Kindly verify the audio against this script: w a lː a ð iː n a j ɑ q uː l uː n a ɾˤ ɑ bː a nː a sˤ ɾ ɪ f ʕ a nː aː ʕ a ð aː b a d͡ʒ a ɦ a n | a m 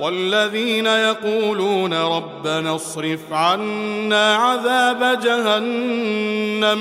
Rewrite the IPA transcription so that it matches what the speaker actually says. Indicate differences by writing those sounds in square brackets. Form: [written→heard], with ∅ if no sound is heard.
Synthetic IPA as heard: w a lː a ð iː n a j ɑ q uː l uː n a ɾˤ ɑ bː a [nː→n] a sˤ ɾ ɪ f ʕ a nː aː ʕ a ð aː b a d͡ʒ a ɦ a [n→nː] | a m